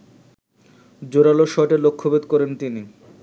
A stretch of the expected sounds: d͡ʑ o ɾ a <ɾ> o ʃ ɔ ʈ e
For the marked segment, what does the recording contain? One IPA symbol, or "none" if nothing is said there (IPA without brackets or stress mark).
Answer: l